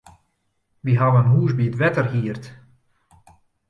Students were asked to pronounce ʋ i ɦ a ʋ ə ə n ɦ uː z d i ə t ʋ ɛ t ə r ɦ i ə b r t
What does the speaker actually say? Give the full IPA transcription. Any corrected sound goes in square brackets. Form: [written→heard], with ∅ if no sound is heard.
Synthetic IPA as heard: ʋ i ɦ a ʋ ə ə n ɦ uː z [d→b] i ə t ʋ ɛ t ə r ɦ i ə [b→∅] r t